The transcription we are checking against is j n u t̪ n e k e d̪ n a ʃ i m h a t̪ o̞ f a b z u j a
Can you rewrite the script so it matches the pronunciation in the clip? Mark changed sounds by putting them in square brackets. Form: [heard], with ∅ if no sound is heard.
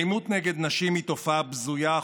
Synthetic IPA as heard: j [m] u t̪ n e [ɡ] e d̪ n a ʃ i m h [i] t̪ o̞ f a b z u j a